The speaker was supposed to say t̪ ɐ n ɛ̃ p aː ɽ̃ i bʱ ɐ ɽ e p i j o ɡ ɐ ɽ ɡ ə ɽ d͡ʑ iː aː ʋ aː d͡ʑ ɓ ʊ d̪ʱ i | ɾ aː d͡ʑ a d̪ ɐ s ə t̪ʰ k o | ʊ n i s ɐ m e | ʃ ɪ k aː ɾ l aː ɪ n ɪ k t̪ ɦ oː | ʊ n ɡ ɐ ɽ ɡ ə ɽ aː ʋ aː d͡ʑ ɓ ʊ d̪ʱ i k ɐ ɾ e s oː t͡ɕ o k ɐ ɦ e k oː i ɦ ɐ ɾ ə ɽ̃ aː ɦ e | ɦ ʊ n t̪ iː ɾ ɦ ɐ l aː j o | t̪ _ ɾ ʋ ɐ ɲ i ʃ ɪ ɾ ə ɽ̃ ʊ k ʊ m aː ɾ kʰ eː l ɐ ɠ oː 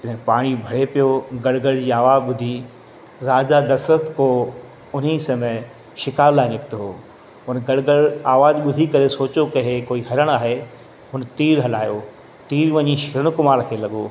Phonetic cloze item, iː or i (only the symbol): iː